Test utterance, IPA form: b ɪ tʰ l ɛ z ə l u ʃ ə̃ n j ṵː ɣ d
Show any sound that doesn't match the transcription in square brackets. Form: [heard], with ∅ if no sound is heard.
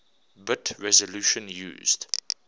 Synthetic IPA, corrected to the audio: b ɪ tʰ [ɹ] ɛ z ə l u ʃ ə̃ n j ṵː [z] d